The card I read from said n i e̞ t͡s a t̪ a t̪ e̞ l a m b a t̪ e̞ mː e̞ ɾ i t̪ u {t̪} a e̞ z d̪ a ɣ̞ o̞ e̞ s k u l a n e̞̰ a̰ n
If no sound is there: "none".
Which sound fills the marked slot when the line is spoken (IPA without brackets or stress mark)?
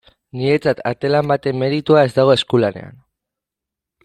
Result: none